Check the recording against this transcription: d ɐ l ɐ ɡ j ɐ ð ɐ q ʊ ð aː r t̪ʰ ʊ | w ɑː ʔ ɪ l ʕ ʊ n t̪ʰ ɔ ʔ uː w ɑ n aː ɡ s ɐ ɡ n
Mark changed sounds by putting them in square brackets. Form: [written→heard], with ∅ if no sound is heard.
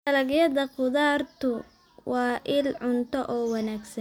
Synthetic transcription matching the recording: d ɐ l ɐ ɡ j ɐ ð ɐ q ʊ ð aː r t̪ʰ ʊ | w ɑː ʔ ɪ l ʕ ʊ n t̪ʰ ɔ ʔ [uː→ɔː] w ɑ n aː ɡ s ɐ [ɡ→∅] n